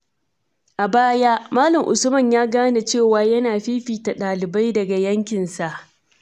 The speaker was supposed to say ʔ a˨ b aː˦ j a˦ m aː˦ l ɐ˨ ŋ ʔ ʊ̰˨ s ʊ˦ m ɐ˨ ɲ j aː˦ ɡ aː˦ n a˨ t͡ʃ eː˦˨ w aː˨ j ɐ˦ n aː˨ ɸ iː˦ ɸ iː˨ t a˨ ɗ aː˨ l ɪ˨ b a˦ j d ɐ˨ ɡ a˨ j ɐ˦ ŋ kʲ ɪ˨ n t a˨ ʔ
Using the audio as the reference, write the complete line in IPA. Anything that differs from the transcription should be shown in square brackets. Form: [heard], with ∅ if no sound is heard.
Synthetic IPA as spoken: ʔ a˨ b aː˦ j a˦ m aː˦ l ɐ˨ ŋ ʔ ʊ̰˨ s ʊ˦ m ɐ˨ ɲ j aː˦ ɡ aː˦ n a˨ t͡ʃ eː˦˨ w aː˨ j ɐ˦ n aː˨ ɸ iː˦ ɸ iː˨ t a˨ ɗ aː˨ l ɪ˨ b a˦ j d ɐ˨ ɡ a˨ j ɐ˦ ŋ kʲ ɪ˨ n [s] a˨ ʔ